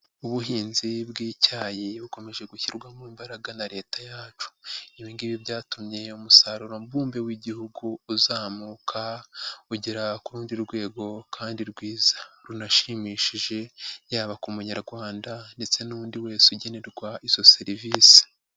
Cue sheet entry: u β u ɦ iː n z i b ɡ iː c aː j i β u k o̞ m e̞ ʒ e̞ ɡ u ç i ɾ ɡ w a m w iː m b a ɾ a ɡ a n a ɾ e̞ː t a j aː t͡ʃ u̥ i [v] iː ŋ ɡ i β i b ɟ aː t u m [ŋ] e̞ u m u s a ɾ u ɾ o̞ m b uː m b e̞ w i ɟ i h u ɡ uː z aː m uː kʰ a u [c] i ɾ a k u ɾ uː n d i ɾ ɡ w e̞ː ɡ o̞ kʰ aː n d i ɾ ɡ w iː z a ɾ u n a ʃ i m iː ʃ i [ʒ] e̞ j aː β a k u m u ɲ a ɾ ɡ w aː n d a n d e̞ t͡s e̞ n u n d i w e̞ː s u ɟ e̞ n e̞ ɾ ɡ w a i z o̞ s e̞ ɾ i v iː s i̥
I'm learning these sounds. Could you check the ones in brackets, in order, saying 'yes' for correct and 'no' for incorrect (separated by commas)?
no, no, no, yes